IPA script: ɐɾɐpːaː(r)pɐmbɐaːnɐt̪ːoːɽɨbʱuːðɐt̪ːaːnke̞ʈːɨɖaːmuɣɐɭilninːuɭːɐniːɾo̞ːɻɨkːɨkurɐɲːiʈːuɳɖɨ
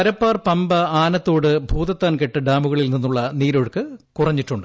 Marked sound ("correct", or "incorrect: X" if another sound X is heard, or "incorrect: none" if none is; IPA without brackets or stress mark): correct